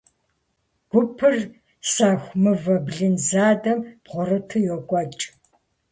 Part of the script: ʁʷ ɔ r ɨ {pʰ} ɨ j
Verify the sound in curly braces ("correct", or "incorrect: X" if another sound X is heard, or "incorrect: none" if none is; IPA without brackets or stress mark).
incorrect: tʰ